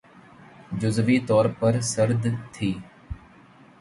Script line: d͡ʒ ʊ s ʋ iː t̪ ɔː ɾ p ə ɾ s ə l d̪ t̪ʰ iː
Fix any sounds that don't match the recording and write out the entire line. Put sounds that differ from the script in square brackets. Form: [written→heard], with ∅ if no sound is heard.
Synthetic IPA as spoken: d͡ʒ ʊ [s→z] ʋ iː t̪ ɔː ɾ p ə ɾ s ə [l→ɾ] d̪ t̪ʰ iː